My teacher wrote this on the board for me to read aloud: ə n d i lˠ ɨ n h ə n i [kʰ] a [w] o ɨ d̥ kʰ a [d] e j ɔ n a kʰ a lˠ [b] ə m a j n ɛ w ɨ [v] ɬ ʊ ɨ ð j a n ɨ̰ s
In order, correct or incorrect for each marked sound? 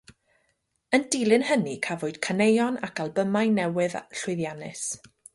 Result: correct, incorrect, incorrect, correct, incorrect

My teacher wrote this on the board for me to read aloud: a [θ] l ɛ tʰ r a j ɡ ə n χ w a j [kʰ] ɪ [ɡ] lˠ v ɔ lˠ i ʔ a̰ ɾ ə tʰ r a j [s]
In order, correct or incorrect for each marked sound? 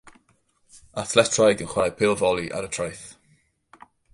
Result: correct, incorrect, incorrect, incorrect

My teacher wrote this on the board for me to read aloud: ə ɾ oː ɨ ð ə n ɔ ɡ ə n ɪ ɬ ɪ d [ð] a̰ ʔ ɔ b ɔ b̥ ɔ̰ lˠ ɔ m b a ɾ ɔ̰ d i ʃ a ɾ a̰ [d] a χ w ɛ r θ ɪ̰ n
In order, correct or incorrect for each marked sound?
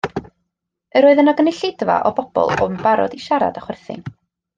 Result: incorrect, correct

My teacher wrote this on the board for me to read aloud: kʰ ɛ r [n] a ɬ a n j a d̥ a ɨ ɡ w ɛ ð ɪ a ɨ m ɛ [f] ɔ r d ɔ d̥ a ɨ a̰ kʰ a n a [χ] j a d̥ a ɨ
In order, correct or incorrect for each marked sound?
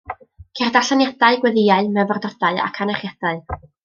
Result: incorrect, incorrect, correct

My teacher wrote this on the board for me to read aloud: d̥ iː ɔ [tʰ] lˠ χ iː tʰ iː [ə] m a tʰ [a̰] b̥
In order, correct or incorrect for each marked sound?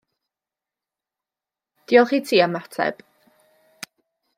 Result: incorrect, incorrect, incorrect

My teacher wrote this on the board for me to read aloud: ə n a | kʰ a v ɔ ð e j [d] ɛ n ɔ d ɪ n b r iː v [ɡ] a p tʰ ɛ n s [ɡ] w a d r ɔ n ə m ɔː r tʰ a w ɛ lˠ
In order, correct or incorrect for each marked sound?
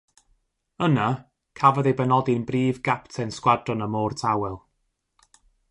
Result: incorrect, correct, incorrect

